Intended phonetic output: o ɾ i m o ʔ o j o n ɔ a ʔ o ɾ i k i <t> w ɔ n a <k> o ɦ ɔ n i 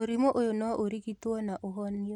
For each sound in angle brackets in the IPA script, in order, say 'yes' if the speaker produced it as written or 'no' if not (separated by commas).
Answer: yes, no